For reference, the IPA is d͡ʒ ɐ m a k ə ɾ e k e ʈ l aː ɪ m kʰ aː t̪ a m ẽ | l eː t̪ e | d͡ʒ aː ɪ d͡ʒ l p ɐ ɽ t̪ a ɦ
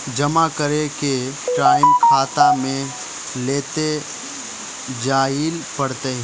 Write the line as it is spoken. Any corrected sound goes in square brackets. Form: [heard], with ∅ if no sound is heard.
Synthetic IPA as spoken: d͡ʒ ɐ m a k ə ɾ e k e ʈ [ɾ] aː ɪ m kʰ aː t̪ a m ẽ | l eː t̪ e | d͡ʒ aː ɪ [∅] l p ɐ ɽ t̪ [e] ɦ